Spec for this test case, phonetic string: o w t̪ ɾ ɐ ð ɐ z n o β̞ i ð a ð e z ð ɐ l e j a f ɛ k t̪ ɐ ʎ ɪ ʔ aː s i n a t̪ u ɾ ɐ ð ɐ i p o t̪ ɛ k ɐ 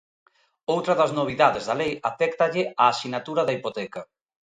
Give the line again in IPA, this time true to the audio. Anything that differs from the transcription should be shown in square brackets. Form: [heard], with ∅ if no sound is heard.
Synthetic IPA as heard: o w t̪ ɾ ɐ ð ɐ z n o β̞ i ð a ð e z ð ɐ l e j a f ɛ k t̪ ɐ ʎ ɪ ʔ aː s i n a t̪ u ɾ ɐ ð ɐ i p o t̪ ɛ k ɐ